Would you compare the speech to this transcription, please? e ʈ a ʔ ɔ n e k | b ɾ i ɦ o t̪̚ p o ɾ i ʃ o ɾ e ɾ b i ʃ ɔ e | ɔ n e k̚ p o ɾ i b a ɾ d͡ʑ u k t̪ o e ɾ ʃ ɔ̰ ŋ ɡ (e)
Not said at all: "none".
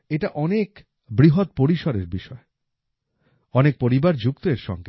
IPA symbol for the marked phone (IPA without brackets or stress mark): e